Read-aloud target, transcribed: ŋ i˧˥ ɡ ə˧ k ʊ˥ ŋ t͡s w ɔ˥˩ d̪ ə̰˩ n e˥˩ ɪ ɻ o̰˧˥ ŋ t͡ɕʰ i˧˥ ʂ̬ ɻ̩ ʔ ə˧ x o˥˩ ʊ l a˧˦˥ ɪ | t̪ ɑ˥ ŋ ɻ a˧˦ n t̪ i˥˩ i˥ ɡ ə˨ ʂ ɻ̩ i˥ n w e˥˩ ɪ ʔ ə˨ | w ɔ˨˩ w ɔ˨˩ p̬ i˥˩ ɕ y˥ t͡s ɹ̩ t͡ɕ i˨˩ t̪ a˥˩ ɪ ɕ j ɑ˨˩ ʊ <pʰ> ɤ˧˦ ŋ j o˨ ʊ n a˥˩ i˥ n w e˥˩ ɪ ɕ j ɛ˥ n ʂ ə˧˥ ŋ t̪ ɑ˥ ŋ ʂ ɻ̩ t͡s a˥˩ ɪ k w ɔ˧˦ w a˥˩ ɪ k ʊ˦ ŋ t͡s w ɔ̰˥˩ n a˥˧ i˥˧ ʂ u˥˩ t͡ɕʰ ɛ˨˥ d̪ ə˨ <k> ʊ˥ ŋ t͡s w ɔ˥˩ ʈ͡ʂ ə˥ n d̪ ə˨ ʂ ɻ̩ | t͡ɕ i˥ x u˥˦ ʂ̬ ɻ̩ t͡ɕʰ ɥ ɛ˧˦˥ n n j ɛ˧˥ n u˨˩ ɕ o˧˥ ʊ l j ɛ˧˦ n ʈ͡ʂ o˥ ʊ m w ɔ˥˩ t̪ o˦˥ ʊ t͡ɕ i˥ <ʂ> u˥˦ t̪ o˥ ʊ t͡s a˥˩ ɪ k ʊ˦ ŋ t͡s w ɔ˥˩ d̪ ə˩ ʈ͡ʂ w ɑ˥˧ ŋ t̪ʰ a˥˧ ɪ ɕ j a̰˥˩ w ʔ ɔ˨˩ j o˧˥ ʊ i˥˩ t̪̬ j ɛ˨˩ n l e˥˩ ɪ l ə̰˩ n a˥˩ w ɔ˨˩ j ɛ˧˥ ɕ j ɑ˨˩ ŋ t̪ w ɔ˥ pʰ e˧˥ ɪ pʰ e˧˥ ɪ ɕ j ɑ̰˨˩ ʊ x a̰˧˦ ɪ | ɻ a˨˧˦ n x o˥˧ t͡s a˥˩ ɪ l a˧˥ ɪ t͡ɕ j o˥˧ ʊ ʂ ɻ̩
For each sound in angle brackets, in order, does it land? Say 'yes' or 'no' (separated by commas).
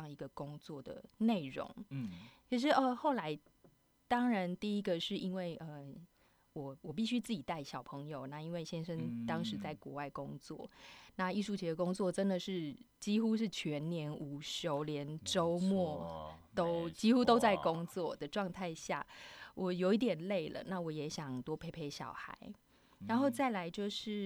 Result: yes, yes, no